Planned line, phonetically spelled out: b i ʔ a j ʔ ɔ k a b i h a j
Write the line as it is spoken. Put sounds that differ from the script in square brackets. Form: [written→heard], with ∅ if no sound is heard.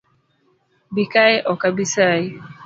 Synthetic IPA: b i [ʔ→k] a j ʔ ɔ k a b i [h→s] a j